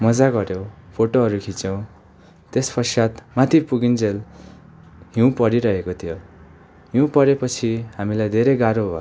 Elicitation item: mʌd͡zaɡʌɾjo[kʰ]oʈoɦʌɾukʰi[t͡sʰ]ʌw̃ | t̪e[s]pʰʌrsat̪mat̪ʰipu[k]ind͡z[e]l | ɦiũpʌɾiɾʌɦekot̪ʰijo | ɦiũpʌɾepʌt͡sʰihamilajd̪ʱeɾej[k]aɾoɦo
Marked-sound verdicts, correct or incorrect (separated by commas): incorrect, incorrect, correct, incorrect, correct, incorrect